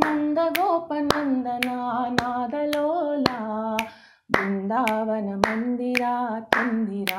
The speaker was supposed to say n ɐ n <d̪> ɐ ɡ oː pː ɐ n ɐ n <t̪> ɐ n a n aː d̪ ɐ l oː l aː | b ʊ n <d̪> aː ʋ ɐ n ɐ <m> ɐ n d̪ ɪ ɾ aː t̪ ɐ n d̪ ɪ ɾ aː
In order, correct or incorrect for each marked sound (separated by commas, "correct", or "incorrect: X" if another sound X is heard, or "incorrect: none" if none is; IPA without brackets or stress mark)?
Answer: correct, incorrect: d̪, correct, correct